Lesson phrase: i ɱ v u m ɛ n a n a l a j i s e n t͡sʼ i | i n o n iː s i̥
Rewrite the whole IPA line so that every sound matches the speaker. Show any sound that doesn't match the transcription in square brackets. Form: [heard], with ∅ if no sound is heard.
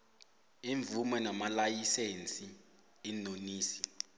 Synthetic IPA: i ɱ v u m ɛ n a [m] a l a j i s e n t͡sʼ i | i n o n iː s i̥